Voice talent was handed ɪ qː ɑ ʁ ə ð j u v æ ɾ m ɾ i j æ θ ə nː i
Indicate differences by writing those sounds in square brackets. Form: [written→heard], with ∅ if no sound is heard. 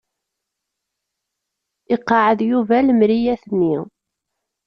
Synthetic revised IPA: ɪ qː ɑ [ʁ→ʕ] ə ð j u v æ [ɾ→l] m ɾ i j æ θ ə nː i